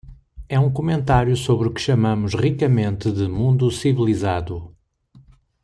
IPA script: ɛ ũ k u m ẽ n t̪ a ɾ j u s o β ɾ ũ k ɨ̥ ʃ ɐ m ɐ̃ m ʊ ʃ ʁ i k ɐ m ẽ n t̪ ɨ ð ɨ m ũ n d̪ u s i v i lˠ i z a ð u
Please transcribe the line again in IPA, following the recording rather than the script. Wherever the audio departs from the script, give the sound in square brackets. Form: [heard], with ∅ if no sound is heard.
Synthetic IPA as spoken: ɛ ũ k u m ẽ n t̪ a ɾ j u s o β ɾ [u] k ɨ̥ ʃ ɐ m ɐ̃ m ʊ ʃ ʁ i k ɐ m ẽ n t̪ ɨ ð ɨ m ũ n d̪ u s i v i lˠ i z a ð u